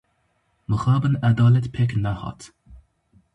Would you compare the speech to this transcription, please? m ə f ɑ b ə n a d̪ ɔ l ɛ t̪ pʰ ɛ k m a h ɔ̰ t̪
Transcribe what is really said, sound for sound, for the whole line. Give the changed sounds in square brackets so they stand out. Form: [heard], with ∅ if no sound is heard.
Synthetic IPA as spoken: m ə [x] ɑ b ə n a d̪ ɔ l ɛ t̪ pʰ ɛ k [n] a h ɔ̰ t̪